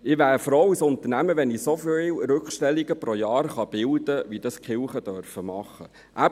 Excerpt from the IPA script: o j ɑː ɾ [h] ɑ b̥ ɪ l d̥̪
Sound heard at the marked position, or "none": χ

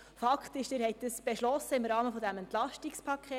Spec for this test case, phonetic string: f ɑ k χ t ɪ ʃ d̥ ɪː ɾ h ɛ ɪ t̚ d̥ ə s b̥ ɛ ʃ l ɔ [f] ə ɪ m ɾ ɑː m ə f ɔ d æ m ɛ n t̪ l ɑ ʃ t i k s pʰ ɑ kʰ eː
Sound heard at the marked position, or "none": s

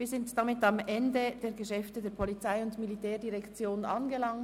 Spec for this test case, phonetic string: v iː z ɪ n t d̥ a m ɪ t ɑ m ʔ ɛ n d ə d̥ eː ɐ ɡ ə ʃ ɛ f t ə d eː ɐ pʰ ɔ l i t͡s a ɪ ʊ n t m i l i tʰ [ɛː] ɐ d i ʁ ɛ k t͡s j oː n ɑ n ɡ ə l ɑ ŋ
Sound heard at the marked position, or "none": ɛː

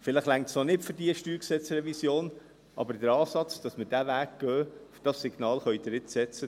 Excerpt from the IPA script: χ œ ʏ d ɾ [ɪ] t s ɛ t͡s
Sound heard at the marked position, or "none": ɪ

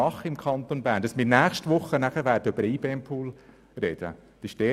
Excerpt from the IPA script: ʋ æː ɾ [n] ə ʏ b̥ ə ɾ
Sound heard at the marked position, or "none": d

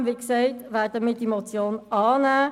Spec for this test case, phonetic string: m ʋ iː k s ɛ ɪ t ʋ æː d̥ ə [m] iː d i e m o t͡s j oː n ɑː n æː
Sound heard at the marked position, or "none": m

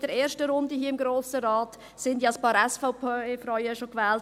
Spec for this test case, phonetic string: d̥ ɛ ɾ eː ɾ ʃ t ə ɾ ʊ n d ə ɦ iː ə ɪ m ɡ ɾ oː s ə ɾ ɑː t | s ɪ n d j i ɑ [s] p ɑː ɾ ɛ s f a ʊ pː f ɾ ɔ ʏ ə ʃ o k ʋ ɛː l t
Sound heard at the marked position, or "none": s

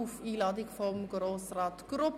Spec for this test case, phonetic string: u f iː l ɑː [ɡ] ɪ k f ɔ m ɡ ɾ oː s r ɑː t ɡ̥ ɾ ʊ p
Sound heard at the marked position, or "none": d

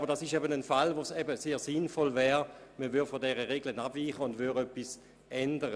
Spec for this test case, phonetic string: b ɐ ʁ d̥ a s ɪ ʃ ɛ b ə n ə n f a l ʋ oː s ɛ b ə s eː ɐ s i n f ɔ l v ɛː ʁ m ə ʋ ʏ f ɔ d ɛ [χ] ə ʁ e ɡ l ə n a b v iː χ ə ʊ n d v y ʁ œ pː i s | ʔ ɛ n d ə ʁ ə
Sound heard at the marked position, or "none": ʁ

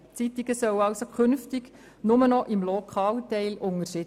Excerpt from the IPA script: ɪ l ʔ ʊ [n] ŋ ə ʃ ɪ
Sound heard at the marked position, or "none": none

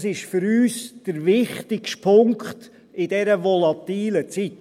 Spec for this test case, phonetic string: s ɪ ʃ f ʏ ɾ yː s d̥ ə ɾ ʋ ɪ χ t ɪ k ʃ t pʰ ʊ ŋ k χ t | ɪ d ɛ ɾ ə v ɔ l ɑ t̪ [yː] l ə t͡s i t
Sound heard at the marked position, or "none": iː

